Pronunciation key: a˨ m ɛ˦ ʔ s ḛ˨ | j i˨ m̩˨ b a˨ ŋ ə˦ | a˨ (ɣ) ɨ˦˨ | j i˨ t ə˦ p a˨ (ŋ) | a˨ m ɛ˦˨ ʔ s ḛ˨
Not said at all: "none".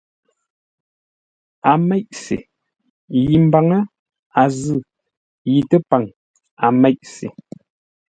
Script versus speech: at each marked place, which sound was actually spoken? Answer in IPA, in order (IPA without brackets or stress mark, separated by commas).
z, ŋ